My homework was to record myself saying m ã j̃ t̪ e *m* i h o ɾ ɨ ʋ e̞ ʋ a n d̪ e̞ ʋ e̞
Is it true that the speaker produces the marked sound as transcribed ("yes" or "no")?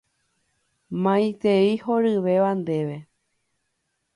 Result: no